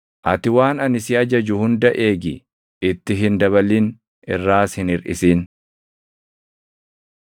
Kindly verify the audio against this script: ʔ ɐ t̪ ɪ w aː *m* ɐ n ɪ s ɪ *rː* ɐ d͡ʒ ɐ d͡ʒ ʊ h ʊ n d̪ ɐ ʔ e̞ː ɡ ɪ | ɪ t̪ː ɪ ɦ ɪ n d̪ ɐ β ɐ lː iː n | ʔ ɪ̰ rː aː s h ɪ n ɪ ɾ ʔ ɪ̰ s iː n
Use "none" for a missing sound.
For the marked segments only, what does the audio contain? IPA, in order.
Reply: n, none

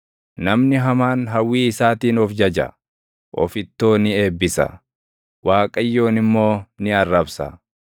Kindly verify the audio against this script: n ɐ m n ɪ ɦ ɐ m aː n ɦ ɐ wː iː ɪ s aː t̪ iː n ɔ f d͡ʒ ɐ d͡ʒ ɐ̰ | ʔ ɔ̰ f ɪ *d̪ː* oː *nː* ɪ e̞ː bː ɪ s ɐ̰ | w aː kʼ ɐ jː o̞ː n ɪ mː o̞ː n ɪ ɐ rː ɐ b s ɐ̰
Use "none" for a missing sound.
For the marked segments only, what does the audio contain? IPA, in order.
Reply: t̪ː, n

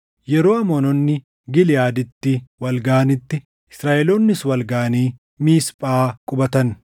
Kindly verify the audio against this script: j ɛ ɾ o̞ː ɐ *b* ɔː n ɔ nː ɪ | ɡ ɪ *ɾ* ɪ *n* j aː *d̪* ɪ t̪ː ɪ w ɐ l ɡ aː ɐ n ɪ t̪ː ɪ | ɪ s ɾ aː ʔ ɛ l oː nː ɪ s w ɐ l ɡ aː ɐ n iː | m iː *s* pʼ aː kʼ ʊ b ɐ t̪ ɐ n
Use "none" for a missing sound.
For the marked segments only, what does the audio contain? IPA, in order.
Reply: m, l, none, d̪, s

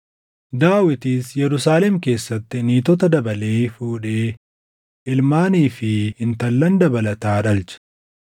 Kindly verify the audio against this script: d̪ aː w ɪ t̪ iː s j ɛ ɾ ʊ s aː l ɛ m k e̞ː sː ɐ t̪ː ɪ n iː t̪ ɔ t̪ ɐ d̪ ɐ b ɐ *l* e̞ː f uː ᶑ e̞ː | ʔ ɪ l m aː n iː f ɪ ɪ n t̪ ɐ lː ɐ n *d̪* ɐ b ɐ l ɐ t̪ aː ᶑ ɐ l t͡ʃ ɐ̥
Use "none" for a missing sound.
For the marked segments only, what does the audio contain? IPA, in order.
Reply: l, d̪

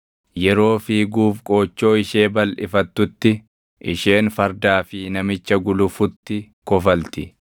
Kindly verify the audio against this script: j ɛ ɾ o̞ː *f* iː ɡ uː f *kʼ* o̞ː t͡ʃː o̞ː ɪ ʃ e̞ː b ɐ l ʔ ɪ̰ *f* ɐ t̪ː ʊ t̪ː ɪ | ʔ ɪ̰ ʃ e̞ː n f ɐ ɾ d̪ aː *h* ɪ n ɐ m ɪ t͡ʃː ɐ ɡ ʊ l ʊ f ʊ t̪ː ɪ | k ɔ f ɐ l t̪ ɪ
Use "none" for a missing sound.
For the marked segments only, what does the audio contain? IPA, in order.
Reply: f, kʼ, f, f

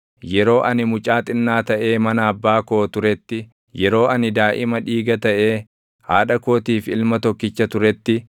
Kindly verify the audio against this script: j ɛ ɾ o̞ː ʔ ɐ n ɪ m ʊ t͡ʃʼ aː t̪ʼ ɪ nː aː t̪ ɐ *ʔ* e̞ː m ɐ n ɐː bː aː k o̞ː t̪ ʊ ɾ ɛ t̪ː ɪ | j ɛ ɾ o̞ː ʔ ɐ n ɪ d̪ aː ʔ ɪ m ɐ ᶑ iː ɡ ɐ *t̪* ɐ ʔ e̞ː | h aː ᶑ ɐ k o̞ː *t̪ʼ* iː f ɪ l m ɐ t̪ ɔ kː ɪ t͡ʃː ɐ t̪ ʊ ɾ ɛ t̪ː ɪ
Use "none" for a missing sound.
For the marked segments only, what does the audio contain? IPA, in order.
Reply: ʔ, t̪, t̪

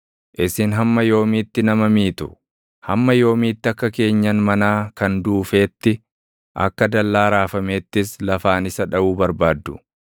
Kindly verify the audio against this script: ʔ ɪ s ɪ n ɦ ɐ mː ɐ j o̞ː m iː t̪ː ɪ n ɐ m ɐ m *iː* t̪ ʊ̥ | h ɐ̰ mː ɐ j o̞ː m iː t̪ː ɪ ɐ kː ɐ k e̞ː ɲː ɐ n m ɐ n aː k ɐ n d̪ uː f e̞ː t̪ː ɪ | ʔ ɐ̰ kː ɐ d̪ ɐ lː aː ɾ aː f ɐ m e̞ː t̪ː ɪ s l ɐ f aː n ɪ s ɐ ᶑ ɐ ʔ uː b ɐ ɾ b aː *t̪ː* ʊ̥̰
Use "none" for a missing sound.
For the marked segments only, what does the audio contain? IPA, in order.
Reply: iː, d̪ː

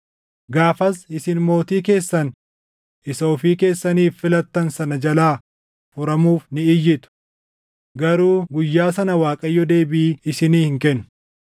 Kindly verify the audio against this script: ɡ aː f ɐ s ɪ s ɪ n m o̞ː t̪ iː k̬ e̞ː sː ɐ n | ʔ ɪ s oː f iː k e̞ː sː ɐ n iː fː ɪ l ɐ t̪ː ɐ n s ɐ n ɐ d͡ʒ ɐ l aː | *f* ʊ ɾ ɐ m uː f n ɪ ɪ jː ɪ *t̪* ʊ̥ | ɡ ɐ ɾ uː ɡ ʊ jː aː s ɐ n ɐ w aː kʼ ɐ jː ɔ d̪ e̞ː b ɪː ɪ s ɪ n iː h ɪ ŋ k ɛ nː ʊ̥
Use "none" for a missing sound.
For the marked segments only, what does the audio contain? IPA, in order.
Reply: f, t̪

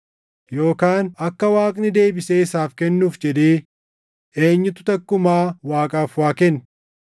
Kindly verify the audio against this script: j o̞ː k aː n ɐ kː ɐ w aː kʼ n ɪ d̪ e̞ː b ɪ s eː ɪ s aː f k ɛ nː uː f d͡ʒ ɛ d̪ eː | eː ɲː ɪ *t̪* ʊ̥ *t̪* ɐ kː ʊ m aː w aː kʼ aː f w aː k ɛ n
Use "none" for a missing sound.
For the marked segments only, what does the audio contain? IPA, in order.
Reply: t̪, t̪

